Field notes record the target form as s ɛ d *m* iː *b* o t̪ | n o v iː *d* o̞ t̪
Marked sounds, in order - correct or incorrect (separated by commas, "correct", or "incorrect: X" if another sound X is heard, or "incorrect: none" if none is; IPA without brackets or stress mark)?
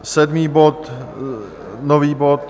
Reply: correct, correct, incorrect: b